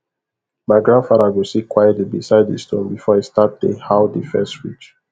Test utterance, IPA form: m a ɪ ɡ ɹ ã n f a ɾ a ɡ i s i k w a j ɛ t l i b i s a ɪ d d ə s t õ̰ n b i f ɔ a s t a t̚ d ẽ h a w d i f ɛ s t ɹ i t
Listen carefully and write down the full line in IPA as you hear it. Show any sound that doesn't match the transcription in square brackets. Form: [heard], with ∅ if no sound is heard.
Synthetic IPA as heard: m a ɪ ɡ ɹ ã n f a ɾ a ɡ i s i k w a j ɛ t l i b i s a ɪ d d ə s t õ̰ n b i f ɔ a s t a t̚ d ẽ h a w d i f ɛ s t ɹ i [t͡ʃ]